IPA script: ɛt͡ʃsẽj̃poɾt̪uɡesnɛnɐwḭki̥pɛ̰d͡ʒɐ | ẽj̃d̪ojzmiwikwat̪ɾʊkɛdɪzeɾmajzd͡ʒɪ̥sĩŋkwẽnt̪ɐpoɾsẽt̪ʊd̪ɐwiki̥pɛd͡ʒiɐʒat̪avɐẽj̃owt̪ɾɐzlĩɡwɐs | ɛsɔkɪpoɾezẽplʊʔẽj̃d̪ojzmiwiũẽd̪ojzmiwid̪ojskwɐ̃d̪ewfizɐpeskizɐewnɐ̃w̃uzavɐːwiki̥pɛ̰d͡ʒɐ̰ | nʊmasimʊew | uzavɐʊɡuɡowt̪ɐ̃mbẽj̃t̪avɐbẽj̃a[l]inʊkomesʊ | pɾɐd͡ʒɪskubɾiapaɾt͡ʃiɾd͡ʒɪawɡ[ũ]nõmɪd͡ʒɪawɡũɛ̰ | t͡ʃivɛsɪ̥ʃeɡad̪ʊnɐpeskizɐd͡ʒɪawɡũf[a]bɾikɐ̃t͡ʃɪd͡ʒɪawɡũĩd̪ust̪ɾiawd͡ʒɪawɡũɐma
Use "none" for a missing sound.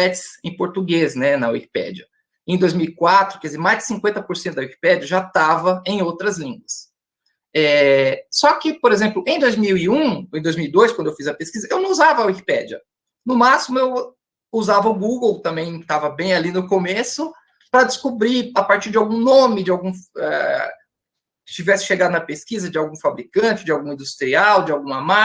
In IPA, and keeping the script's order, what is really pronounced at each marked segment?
l, ũ, a

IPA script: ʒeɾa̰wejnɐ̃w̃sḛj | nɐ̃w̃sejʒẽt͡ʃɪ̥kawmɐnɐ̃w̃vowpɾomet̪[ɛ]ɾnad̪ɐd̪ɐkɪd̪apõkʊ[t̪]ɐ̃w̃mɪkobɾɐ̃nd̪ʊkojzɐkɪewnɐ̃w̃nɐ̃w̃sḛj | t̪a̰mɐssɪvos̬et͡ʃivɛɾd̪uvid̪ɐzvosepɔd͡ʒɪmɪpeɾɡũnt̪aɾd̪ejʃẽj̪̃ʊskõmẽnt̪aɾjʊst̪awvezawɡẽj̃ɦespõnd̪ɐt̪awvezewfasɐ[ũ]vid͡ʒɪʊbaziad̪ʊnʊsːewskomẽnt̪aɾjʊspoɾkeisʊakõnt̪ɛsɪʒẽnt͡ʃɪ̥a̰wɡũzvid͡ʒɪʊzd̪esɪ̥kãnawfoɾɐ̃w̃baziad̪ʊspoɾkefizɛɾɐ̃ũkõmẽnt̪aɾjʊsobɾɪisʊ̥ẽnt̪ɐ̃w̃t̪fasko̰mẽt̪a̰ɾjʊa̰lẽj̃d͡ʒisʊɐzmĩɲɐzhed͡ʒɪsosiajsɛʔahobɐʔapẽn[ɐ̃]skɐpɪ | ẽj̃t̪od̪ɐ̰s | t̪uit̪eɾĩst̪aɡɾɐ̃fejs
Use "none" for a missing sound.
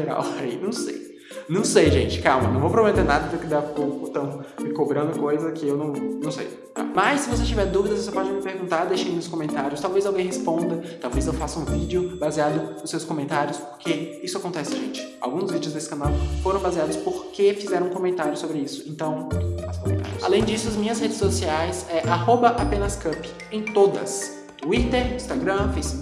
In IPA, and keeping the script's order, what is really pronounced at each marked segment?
e, t̪, ũ, ɐ

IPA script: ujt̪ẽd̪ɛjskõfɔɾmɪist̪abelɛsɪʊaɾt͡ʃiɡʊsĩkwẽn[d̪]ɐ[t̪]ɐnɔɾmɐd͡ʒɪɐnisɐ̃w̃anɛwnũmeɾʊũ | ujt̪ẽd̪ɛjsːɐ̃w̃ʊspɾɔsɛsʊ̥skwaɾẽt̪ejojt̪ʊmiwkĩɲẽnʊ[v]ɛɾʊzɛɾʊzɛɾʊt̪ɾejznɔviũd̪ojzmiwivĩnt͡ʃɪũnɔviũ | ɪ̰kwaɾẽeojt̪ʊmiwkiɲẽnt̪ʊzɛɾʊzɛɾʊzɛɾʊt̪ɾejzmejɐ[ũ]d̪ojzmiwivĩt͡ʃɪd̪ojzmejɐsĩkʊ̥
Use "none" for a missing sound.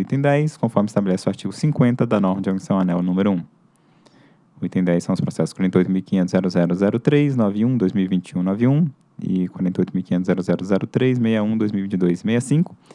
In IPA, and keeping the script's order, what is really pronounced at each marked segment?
t̪, d̪, z, ũ

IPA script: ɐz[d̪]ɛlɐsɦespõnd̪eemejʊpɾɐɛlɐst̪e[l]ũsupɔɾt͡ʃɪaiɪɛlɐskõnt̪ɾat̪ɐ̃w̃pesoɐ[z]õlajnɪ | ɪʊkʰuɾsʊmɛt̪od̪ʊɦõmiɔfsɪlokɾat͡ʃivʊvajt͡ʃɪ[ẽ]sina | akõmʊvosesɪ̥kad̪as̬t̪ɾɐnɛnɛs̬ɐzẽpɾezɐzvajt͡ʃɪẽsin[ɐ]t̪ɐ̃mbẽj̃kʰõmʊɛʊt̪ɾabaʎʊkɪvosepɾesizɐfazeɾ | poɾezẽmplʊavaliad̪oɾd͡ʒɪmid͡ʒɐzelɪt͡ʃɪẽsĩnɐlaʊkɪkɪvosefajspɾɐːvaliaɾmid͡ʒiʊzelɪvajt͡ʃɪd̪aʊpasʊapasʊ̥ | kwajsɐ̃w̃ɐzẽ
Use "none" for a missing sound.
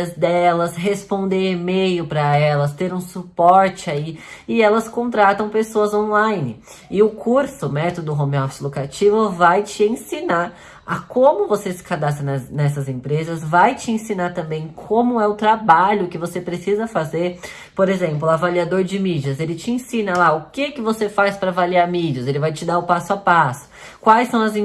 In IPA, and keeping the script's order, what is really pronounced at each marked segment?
d̪, ɾ, z, ẽ, a

